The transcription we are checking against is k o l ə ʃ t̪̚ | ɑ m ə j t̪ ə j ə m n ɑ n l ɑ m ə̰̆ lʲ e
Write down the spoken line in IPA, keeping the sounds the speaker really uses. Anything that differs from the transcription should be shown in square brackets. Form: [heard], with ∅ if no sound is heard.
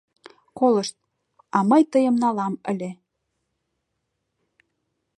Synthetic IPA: k o l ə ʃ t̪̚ | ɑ m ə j t̪ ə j ə m n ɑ [∅] l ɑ m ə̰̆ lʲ e